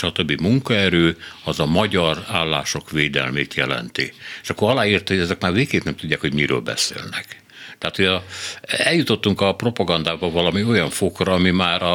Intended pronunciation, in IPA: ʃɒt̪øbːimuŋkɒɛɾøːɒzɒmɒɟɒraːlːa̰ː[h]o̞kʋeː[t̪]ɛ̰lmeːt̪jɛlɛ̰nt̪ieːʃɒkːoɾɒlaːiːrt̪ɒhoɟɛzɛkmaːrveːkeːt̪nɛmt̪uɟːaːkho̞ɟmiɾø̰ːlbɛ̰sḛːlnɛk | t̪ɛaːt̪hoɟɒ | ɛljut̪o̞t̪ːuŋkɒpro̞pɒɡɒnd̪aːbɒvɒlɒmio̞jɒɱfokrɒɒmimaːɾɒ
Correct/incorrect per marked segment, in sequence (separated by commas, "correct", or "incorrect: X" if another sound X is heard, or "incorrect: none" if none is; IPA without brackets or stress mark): incorrect: ʃ, incorrect: d̪